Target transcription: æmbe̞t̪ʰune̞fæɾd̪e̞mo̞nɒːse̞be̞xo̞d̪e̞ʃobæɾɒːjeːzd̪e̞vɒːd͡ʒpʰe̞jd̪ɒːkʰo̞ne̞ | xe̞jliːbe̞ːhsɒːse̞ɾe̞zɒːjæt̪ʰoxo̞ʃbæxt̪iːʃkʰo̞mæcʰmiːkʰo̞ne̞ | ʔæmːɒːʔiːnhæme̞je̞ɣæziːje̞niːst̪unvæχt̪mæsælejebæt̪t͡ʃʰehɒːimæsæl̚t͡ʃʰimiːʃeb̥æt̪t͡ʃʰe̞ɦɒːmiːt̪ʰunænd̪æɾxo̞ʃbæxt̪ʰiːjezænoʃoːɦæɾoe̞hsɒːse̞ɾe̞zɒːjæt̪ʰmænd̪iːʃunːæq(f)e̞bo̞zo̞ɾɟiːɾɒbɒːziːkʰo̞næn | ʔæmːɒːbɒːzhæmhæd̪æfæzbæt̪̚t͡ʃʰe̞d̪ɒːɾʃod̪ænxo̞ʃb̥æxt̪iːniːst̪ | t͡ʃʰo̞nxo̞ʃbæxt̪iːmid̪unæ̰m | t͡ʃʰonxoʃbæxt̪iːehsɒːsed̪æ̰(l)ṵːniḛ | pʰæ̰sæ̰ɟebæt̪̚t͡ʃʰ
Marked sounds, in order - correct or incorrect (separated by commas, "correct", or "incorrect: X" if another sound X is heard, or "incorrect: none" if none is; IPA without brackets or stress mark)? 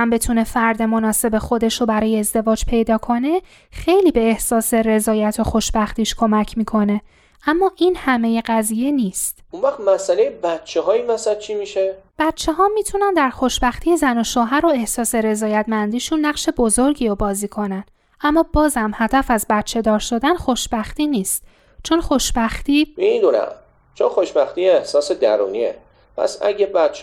incorrect: ʃ, incorrect: ɾ